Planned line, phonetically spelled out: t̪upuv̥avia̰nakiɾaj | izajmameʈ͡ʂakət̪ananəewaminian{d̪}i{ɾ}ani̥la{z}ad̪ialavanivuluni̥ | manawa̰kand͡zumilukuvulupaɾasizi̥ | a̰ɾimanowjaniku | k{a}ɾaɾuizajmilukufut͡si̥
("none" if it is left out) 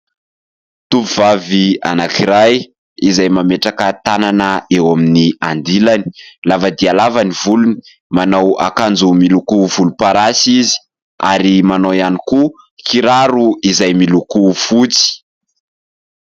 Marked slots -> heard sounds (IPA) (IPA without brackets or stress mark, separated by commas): d̪, l, v, i